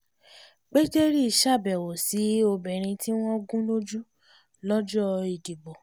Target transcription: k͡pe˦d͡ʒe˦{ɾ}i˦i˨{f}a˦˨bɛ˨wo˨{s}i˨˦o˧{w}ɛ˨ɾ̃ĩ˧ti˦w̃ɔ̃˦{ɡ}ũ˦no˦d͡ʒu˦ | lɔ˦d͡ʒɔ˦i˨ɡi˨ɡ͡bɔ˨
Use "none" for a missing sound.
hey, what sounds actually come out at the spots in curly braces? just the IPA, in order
ɾ, ʃ, s, b, ɡ

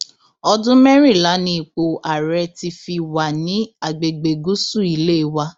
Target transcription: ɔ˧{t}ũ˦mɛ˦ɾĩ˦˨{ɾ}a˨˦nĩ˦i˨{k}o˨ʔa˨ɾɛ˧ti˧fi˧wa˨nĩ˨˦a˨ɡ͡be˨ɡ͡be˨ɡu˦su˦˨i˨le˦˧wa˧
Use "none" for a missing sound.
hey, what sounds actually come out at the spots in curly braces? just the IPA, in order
d, l, k͡p

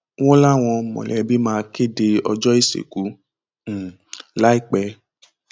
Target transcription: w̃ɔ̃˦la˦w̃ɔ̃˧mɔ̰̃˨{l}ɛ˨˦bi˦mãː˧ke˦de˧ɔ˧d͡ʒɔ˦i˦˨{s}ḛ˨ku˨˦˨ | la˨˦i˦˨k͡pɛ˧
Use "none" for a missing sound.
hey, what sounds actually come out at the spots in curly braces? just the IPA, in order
l, s

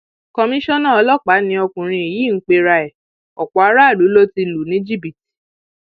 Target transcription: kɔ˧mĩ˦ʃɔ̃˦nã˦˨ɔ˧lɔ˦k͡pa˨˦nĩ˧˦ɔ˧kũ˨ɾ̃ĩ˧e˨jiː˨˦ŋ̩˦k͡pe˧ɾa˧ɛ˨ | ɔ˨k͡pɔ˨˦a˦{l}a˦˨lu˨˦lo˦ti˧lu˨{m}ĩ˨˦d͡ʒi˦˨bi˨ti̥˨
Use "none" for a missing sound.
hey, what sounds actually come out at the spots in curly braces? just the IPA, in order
ɾ, n

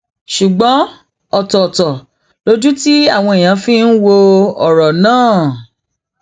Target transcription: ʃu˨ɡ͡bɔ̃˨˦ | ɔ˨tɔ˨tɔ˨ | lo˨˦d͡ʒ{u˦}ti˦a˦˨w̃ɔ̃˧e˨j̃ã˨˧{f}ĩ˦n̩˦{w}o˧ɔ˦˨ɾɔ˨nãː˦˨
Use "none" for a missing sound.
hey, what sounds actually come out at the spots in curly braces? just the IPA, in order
u˦, f, w

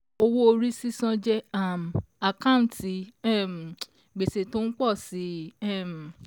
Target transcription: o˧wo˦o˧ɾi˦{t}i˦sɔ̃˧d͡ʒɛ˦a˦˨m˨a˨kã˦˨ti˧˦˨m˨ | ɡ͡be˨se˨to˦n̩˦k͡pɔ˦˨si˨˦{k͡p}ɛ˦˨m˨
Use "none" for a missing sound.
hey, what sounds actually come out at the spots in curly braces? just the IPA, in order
s, none

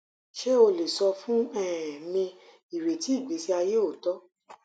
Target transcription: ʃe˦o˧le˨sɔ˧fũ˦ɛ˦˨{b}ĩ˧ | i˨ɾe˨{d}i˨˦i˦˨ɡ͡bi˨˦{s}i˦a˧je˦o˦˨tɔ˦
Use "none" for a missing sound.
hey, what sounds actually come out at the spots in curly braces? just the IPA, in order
m, t, s

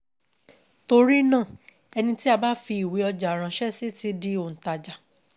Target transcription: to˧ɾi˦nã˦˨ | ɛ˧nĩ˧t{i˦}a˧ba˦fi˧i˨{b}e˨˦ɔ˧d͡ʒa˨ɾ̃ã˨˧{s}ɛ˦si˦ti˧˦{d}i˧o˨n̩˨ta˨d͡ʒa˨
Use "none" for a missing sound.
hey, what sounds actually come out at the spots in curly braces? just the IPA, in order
i˦, w, ʃ, d

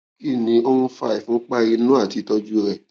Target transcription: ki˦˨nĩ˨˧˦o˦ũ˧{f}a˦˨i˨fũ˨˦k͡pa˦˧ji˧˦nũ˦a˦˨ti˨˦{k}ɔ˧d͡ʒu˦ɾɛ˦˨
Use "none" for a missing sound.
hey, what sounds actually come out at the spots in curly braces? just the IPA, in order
f, t

